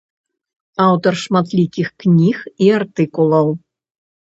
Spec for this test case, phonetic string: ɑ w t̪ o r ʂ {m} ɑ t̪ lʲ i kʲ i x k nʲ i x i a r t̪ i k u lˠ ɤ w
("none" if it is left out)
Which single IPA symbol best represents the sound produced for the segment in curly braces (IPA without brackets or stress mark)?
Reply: m